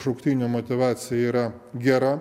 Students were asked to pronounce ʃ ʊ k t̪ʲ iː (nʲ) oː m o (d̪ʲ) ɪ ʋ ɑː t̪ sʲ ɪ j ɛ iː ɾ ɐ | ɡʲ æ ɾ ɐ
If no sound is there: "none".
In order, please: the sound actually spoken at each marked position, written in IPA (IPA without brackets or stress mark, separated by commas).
nʲ, t̪ʲ